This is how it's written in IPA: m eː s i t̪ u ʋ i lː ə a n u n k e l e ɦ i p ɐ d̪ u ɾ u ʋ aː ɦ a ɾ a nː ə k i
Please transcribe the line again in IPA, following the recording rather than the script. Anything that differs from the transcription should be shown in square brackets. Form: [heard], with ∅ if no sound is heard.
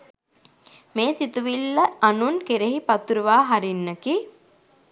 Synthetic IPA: m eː s i t̪ u ʋ i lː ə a n u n k e [ɾ] e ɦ i p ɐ [t̪] u ɾ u ʋ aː ɦ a ɾ [i] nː ə k i